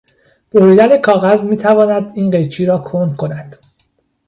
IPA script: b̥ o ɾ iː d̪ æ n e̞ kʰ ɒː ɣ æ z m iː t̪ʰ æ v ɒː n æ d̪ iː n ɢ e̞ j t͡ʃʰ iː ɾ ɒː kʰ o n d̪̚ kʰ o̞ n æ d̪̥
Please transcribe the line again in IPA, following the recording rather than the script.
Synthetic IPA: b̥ o ɾ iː d̪ æ n e̞ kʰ ɒː ɣ æ z m iː t̪ʰ æ v ɒː n æ d̪ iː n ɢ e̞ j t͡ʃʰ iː ɾ ɒː kʰ o n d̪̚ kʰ o̞ n æ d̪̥